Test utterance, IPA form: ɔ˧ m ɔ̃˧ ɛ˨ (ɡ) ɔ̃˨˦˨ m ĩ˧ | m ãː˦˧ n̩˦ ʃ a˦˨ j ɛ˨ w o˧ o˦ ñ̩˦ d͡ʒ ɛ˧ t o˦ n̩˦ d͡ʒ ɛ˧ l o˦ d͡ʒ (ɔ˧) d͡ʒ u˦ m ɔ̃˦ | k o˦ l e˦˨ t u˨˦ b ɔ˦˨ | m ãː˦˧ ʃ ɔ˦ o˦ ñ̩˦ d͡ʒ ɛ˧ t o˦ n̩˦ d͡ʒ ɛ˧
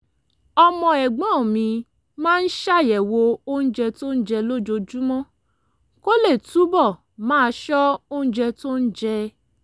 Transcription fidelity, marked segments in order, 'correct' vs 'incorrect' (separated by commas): incorrect, incorrect